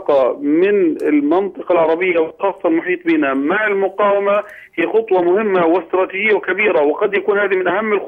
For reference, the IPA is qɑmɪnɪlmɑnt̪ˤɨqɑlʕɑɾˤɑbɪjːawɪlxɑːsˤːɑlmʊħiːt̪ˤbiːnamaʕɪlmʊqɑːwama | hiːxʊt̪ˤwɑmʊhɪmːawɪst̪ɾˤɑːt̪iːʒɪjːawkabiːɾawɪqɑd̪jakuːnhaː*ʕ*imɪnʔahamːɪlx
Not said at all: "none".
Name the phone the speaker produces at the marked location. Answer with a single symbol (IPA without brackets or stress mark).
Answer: ð